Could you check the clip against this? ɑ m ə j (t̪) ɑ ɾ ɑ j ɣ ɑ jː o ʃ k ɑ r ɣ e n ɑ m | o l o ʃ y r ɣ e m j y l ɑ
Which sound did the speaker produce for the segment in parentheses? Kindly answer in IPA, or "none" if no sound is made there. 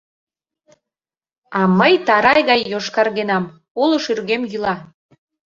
t̪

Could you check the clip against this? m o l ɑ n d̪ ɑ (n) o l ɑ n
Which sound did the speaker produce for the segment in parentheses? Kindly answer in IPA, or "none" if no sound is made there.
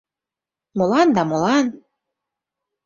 m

